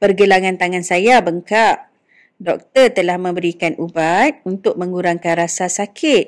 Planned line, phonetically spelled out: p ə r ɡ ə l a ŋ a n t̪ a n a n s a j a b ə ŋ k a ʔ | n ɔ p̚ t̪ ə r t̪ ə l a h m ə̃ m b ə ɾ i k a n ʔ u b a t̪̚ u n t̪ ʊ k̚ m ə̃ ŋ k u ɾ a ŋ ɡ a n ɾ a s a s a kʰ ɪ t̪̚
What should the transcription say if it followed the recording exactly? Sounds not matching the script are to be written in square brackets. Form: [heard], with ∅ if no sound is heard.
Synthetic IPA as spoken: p ə r ɡ ə l a ŋ a n t̪ a [ŋ] a n s a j a b ə ŋ k a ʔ | [d] ɔ [k̚] t̪ ə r t̪ ə l a h m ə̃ m b ə ɾ i k a n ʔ u b a t̪̚ u n t̪ ʊ k̚ m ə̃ ŋ [ɡ] u ɾ a ŋ [k] a n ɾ a s a s a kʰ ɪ t̪̚

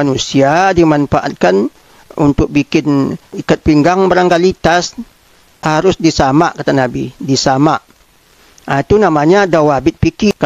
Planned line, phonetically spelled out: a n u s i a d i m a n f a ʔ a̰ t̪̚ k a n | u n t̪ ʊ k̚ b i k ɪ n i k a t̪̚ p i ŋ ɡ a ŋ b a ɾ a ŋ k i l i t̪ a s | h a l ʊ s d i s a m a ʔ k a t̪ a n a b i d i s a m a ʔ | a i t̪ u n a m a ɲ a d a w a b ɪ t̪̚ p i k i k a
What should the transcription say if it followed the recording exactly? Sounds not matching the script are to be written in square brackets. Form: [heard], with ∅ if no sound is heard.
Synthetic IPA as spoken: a n u s i a d i m a n f a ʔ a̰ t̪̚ k a n | u n t̪ ʊ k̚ b i k ɪ n i k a t̪̚ p i ŋ ɡ a ŋ b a ɾ a ŋ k [a] l i t̪ a s | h a [ɾ] ʊ s d i s a m a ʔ k a t̪ a n a b i d i s a m a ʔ | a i t̪ u n a m a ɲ a d a w a b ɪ t̪̚ p i k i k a

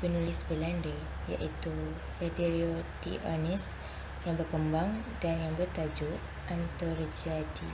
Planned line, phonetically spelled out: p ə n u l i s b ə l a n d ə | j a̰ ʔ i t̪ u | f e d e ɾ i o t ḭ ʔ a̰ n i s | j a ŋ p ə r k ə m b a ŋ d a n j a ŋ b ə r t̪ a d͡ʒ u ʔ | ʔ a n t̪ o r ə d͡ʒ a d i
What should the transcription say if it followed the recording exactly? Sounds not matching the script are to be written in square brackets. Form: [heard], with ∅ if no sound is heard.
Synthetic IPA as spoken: p ə n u l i s b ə l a n d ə | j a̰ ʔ i t̪ u | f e d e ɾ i o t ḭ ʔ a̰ n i s | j a ŋ [b] ə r k ə m b a ŋ d a n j a ŋ b ə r t̪ a d͡ʒ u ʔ | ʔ a n t̪ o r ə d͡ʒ a d i

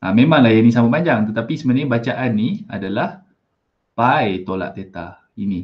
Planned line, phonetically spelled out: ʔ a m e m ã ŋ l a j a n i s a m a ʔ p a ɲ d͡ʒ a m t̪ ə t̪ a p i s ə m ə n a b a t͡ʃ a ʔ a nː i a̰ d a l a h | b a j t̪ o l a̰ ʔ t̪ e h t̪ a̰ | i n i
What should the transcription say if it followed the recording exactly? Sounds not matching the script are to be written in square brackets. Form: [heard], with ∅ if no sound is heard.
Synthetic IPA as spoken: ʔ a m e m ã ŋ l a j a n i s a m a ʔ p a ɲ d͡ʒ a [ŋ] t̪ ə t̪ a p i s ə m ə n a b a t͡ʃ a ʔ a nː i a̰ d a l a h | [p] a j t̪ o l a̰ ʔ t̪ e [∅] t̪ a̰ | i n i

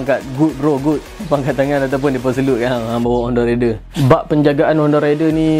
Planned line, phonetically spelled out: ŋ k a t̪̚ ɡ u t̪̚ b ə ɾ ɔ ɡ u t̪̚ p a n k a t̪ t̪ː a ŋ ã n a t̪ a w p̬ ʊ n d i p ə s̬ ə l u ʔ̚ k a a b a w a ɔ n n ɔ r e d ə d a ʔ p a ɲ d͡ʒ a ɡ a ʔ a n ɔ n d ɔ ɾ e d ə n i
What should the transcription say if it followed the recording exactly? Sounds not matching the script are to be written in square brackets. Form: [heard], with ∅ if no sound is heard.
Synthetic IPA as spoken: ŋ k a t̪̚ ɡ u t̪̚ b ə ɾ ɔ ɡ u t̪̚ p a [ŋ] k a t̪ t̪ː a ŋ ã n a t̪ a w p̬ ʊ n d i p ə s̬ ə l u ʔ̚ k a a b a w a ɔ n [d] ɔ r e d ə [b] a ʔ p [ə] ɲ d͡ʒ a ɡ a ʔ a n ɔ n d ɔ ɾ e d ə n i

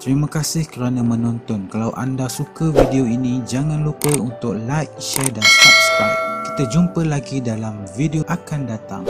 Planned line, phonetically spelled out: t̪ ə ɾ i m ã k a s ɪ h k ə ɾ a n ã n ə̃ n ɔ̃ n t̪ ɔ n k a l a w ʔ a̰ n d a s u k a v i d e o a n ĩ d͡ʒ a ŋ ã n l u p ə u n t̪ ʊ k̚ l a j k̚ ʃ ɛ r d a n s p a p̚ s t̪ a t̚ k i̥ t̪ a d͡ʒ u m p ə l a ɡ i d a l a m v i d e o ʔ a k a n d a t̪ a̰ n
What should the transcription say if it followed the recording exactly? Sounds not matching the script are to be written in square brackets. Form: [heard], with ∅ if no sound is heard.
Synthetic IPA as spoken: t̪ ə ɾ i m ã k a s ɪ h k ə ɾ a n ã [m] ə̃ n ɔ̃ n t̪ ɔ n k a l a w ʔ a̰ n d a s u k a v i d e o [i] n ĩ d͡ʒ a ŋ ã n l u p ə u n t̪ ʊ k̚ l a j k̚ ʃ ɛ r d a n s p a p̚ s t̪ a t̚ k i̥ t̪ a d͡ʒ u m p ə l a ɡ i d a l a m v i d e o ʔ a k a n d a t̪ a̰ [ŋ]

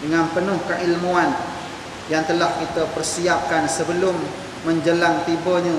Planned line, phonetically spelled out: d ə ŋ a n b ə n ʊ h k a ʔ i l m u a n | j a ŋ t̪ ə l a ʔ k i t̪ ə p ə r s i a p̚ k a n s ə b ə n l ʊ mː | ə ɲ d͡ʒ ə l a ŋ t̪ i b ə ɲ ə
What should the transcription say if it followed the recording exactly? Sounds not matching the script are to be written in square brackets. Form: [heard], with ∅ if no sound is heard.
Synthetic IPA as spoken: d ə ŋ a n [p] ə n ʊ h k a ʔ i l m u a n | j a ŋ t̪ ə l a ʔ k i t̪ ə p ə r s i a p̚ k a n s ə b ə [∅] l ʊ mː | ə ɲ d͡ʒ ə l a ŋ t̪ i b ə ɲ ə

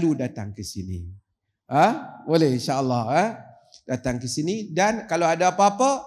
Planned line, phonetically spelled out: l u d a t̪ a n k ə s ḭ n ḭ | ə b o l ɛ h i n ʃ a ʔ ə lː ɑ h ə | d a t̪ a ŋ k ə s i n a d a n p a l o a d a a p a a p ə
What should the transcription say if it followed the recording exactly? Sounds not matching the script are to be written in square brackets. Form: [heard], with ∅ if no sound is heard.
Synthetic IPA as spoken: l u d a t̪ a [ŋ] k ə s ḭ n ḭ | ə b o l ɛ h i n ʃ a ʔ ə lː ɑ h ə | d a t̪ a ŋ k ə s i n [i] d a n [k] a l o a d a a p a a p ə

